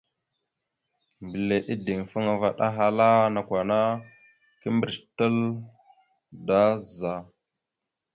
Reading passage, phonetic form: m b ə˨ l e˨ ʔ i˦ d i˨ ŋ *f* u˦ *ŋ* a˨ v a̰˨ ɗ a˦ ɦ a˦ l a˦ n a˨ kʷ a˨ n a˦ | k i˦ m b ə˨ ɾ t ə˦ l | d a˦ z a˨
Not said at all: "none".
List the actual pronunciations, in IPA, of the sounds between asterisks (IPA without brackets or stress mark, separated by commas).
f, ŋ